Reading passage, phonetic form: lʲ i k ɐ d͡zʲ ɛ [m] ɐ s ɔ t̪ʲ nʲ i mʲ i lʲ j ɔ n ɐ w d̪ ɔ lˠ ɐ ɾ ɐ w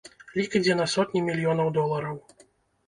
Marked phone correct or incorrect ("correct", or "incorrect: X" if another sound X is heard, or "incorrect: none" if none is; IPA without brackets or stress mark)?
incorrect: n